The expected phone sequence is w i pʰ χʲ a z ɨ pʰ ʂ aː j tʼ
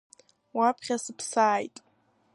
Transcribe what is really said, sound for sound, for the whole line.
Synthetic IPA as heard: w a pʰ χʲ a s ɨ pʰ s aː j tʼ